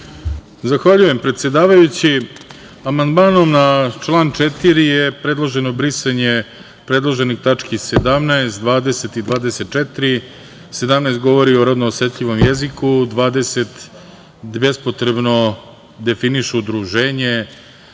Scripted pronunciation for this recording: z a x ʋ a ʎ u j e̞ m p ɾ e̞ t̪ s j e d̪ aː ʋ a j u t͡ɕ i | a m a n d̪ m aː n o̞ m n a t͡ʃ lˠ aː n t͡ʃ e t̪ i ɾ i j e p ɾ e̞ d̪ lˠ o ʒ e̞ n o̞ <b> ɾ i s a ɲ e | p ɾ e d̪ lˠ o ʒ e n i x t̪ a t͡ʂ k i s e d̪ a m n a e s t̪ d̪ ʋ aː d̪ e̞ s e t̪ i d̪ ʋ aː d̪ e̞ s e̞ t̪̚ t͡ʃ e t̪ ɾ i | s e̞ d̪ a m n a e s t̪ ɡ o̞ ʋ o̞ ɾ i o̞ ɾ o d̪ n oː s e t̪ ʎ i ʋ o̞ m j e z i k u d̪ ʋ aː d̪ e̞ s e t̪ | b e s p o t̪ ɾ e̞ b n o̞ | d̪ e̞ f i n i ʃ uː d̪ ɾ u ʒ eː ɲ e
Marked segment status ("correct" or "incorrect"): correct